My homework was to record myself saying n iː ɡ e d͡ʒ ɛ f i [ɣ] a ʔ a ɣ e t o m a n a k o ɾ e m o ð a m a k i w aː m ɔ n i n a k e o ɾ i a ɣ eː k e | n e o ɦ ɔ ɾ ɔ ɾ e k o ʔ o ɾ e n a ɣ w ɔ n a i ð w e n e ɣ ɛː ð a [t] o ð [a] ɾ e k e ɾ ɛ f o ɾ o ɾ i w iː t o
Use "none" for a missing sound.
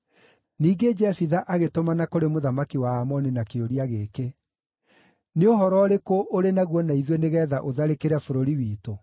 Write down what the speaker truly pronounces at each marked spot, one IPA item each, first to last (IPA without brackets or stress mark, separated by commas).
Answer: ð, ʔ, a